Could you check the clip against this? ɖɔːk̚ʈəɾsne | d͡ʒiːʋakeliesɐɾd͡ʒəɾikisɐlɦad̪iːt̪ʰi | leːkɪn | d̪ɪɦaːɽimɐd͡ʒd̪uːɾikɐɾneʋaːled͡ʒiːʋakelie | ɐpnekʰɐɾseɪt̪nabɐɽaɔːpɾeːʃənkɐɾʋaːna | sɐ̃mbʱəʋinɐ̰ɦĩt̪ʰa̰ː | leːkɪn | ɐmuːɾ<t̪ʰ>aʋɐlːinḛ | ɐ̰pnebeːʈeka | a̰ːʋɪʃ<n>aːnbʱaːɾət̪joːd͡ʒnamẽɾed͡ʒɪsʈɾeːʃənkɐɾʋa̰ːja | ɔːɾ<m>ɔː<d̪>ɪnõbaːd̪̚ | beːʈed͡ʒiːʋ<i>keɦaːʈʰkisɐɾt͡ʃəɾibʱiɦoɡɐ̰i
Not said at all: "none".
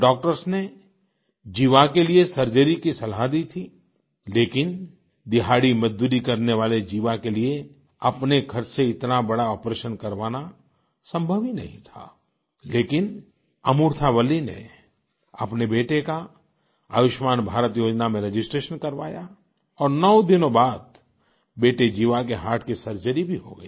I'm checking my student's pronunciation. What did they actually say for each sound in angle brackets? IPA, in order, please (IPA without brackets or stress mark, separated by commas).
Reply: t̪ʰ, m, n, d̪, a